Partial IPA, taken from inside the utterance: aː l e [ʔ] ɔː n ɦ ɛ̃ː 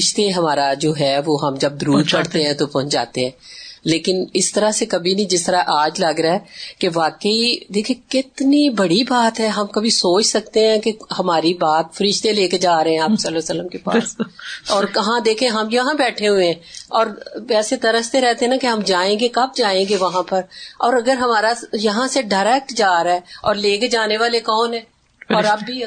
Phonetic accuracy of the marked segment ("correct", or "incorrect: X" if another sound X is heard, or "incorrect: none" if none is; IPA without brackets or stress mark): incorrect: k